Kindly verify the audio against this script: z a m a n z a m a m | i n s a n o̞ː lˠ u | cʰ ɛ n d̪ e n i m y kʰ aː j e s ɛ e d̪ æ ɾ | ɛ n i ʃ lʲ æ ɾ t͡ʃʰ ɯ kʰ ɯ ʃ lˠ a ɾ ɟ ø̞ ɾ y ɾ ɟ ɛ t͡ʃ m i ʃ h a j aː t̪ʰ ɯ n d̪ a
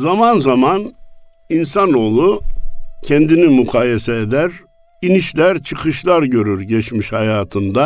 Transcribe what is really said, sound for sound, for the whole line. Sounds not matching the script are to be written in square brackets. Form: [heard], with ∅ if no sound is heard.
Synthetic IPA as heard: z a m a n z a m a [n] | i n s a n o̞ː lˠ u | cʰ ɛ n d̪ [i] n i m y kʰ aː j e s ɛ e d̪ æ ɾ | [i] n i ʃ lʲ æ ɾ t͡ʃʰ ɯ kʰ ɯ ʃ lˠ a ɾ ɟ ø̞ ɾ y ɾ ɟ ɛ t͡ʃ m i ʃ h a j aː t̪ʰ ɯ n d̪ a